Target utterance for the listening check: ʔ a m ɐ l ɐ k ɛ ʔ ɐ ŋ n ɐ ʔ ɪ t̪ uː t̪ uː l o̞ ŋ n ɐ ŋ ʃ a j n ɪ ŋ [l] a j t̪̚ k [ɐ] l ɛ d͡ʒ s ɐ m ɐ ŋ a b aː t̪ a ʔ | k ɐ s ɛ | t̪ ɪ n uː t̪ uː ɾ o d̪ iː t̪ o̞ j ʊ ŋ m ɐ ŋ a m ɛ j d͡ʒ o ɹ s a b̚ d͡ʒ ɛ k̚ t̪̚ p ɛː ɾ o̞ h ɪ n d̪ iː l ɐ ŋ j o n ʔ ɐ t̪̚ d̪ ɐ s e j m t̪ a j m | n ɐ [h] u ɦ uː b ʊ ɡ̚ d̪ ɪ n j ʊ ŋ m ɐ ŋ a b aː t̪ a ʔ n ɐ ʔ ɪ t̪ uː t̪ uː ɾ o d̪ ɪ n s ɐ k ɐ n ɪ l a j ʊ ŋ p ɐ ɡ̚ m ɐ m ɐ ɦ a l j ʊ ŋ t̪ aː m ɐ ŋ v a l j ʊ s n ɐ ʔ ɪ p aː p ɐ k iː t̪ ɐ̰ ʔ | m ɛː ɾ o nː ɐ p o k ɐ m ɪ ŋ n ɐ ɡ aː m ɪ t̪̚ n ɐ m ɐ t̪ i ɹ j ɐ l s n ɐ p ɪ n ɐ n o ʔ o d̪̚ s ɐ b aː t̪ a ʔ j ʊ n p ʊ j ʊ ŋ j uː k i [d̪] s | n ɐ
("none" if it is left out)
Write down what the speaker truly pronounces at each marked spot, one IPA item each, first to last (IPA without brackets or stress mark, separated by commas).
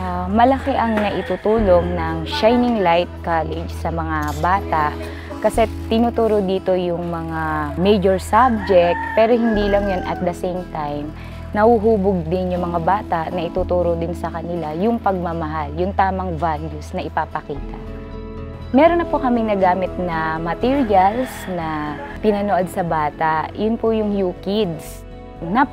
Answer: l, a, h, d̪